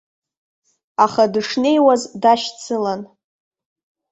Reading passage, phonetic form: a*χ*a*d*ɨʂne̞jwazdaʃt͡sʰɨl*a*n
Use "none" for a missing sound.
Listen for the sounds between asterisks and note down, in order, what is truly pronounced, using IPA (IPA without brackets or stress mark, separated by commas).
χ, d, a